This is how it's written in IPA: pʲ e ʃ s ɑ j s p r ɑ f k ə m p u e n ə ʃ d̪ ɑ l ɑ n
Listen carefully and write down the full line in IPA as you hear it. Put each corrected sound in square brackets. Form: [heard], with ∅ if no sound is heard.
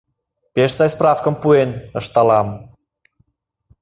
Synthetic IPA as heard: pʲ e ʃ s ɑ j s p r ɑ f k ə m p u e n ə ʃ [t̪] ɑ l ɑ [m]